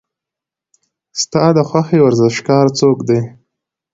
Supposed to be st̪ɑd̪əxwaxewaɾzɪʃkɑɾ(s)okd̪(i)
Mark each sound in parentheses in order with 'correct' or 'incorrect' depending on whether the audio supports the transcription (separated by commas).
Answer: incorrect, incorrect